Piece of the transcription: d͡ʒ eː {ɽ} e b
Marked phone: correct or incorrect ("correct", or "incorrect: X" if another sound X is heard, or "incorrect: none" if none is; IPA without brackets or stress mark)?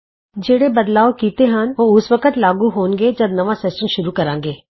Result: correct